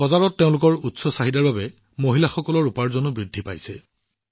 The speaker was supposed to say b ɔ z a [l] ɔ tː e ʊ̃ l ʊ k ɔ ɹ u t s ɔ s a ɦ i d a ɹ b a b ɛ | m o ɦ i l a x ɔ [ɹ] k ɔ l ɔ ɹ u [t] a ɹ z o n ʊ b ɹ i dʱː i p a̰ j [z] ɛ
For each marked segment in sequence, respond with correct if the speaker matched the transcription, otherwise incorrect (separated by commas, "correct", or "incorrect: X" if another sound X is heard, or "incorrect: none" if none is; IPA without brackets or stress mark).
incorrect: ɹ, incorrect: none, incorrect: p, incorrect: s